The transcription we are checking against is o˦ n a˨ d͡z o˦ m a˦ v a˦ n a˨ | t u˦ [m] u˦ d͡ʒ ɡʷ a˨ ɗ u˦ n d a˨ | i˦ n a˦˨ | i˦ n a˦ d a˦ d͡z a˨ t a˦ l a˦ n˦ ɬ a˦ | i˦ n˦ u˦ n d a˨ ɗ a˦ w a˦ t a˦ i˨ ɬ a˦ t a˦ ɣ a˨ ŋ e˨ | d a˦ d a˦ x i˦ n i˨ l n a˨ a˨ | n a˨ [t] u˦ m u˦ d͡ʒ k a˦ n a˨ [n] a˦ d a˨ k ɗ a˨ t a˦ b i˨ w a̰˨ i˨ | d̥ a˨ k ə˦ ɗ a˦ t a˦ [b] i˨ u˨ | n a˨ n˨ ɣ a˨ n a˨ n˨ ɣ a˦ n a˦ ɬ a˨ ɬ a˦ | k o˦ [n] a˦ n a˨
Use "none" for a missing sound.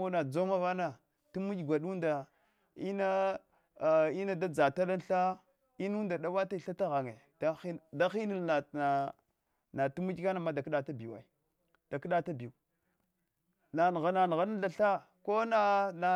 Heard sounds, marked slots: m, t, m, b, n

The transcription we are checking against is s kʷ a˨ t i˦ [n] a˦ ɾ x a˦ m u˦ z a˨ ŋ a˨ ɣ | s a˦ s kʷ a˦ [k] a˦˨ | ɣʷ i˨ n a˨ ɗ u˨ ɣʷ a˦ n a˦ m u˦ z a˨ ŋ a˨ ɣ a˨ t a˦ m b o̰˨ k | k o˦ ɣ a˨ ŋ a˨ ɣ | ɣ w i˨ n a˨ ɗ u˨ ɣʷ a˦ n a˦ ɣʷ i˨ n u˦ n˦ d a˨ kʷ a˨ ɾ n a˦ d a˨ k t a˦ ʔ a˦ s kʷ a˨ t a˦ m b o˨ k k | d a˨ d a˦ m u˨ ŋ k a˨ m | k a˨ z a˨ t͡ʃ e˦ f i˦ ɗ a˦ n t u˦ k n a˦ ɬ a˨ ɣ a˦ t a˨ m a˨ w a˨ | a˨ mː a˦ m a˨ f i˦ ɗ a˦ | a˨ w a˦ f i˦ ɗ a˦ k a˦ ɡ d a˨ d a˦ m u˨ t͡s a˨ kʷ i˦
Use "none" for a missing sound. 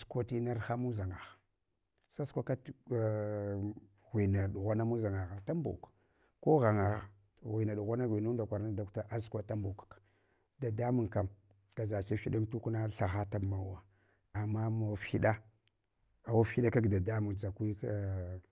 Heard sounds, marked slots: n, k

